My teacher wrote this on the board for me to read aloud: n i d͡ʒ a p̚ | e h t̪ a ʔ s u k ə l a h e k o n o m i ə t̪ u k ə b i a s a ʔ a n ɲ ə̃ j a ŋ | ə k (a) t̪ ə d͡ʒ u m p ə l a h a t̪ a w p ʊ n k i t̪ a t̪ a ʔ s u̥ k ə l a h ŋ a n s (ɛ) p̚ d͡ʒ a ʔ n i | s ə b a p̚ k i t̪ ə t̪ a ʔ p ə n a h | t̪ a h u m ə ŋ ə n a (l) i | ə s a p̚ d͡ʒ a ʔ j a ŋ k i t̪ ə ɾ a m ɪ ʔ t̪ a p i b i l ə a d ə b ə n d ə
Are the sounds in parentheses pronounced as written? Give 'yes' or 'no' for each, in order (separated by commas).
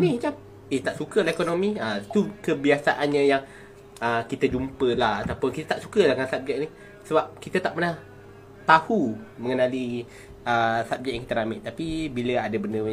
no, no, yes